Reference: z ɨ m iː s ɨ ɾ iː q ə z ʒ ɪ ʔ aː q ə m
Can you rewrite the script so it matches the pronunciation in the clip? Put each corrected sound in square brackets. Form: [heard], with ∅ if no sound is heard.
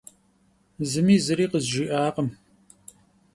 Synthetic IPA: z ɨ m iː [z] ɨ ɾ iː q ə z ʒ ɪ ʔ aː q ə m

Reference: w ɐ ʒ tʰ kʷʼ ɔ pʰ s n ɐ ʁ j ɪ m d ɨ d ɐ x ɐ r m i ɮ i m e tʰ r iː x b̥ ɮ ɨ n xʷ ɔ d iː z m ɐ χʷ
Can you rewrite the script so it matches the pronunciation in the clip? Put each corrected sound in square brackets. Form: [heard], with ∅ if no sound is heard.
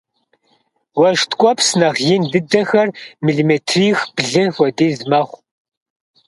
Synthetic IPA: w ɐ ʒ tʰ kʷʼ ɔ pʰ s n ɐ ʁ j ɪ [n] d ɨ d ɐ x ɐ r m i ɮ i m e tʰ r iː x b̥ ɮ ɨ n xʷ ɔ d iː z m ɐ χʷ

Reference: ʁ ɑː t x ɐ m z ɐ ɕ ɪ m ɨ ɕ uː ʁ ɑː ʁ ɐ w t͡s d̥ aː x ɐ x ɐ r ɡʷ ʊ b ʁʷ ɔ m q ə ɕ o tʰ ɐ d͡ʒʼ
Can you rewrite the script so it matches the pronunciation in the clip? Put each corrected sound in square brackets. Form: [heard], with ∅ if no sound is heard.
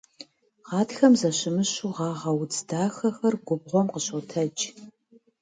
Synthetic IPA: ʁ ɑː t x ɐ m z ɐ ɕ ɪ m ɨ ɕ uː ʁ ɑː ʁ ɐ w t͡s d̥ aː x ɐ x ɐ r ɡʷ ʊ b ʁʷ ɔ m q ə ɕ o tʰ ɐ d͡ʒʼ

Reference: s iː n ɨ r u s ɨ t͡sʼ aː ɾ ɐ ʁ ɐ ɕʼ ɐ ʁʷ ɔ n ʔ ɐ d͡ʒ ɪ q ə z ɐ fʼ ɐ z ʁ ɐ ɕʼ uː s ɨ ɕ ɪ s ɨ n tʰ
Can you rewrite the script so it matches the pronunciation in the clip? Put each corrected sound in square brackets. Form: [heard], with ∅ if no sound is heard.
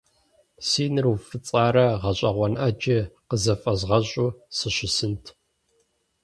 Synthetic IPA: s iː n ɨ r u [f] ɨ t͡sʼ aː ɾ ɐ ʁ ɐ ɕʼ ɐ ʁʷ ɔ n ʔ ɐ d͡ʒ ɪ q ə z ɐ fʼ ɐ z ʁ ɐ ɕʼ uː s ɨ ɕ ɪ s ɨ n tʰ

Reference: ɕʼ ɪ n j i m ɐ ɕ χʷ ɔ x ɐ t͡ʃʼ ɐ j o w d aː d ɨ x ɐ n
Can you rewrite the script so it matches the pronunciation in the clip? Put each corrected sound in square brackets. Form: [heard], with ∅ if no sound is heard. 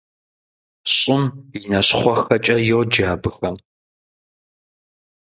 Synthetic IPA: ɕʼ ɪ [m] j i [n] ɐ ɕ χʷ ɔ x ɐ t͡ʃʼ ɐ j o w [d͡ʒ] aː [b] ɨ x ɐ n

